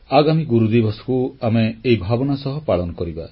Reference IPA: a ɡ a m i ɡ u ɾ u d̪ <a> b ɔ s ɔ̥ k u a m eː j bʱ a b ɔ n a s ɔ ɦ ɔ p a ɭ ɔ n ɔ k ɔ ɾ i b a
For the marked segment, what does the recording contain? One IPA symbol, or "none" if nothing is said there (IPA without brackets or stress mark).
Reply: i